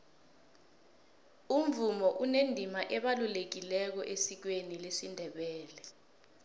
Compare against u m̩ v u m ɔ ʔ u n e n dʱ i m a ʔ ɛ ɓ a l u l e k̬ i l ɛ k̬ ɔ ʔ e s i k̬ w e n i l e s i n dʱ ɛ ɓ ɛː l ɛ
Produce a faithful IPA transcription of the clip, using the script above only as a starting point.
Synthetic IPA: u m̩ v u m ɔ ʔ u n e n dʱ i m a ʔ ɛ ɓ a l u l e k̬ i l ɛ k̬ ɔ ʔ e s i k̬ w e n i l e s i n dʱ ɛ ɓ ɛː l ɛ